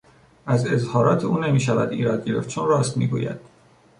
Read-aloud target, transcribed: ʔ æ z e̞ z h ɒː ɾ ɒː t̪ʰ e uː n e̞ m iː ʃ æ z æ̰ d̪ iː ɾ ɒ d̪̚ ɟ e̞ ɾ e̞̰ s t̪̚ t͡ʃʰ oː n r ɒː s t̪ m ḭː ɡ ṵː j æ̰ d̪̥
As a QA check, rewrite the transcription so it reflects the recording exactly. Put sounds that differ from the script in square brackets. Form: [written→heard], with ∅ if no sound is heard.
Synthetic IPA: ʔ æ z e̞ z h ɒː ɾ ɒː t̪ʰ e uː n e̞ m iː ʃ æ [z→v] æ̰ d̪ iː ɾ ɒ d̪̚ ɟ e̞ ɾ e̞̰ [s→f] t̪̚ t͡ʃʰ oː n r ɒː s t̪ m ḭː ɡ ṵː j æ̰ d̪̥